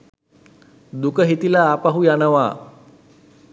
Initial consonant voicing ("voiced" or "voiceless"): voiced